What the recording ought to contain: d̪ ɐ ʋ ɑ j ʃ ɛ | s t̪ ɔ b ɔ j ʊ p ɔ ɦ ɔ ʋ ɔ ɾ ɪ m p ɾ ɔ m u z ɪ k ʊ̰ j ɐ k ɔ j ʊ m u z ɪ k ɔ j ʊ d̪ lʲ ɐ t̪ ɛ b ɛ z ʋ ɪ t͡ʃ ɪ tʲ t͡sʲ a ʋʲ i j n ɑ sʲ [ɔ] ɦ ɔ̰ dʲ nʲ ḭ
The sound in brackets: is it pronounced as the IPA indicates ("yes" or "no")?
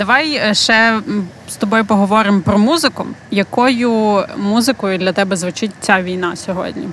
yes